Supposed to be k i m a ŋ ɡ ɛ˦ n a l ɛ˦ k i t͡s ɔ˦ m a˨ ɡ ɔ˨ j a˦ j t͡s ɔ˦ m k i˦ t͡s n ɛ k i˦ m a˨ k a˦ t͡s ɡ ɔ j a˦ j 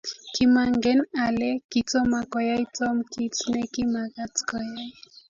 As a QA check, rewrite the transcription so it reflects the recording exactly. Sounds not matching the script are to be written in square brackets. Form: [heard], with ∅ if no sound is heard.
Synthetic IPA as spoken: k i m a ŋ ɡ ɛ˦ n a l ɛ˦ k i t͡s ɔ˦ m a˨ [k] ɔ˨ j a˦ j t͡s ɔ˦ m k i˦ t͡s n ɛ k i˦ m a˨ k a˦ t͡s [k] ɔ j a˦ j

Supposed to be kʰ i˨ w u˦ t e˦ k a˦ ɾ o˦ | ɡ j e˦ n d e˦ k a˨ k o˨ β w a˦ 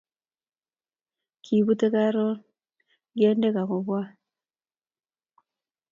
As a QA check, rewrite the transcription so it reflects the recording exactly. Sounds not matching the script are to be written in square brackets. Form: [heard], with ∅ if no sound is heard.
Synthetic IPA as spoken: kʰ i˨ [β] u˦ t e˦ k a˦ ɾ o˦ | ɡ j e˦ n d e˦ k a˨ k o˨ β w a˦

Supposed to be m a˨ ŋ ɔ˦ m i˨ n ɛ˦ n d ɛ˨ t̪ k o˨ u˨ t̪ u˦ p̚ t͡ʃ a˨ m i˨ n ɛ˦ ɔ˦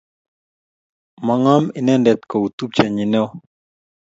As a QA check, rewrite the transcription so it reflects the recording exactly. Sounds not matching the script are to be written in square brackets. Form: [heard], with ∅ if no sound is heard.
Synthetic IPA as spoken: m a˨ ŋ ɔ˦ m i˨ n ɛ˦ n d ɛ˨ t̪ k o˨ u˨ t̪ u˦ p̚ t͡ʃ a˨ [ɲ] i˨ n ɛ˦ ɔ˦

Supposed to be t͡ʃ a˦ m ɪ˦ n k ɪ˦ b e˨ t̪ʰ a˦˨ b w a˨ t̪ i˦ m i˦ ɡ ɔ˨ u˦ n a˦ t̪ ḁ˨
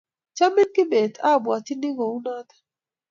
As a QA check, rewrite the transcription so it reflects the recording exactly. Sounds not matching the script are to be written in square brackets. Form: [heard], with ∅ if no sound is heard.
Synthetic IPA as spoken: t͡ʃ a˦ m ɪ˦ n k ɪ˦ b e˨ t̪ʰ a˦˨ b w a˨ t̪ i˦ [n] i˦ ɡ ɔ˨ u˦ n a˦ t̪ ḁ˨

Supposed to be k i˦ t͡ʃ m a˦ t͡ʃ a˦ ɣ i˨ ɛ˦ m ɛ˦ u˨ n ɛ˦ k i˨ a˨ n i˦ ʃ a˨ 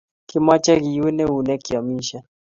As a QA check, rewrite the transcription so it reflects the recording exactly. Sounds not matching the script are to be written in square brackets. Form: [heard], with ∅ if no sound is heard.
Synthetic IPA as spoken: k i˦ [∅] m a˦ t͡ʃ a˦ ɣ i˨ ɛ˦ [n] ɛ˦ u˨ n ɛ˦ k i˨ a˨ [m] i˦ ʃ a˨

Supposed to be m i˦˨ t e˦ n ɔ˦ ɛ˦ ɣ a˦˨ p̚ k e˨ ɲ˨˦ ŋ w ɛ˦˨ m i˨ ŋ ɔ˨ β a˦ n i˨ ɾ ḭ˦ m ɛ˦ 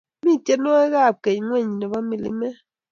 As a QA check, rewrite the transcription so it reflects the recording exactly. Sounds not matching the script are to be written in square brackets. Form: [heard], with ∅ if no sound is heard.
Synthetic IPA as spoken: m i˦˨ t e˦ n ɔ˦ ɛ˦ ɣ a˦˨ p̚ k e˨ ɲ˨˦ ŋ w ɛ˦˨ [ɲ] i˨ [n] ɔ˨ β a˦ [m] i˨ [l] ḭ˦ m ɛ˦

